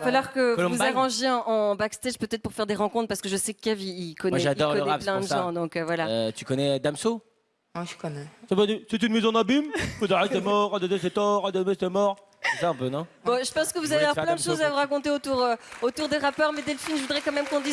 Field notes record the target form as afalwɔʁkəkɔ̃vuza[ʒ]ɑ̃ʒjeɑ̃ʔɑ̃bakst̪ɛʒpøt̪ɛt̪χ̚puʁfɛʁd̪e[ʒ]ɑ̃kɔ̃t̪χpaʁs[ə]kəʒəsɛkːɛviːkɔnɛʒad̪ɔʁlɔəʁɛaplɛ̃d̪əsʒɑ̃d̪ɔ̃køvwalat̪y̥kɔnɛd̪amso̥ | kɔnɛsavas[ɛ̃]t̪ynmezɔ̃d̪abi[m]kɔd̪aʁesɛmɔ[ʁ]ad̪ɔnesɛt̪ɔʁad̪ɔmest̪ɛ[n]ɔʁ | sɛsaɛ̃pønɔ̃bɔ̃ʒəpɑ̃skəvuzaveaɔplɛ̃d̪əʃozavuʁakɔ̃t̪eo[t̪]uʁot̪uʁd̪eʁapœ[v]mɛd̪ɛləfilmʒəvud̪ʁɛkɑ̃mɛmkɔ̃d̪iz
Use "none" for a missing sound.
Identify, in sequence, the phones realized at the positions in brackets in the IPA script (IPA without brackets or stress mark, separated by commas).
ʁ, ʁ, ə, ɛ, m, ʁ, m, t̪, ʁ